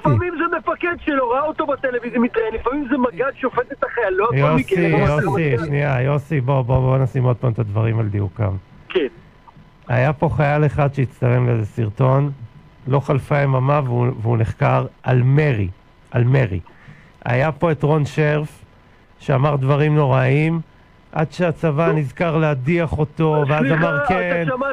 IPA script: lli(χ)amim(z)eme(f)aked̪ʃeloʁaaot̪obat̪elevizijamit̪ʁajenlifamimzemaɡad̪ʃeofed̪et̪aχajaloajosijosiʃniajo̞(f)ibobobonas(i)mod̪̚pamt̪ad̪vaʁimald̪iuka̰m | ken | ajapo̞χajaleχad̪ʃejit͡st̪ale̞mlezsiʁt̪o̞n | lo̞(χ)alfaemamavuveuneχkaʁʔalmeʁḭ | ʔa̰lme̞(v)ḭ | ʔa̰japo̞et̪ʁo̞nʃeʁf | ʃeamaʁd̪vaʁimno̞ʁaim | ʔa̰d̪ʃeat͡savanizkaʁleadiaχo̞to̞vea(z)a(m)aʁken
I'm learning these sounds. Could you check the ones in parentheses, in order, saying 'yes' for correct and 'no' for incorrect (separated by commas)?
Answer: no, yes, yes, no, yes, yes, no, yes, yes